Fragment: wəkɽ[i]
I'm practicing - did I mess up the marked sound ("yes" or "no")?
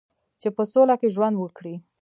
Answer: no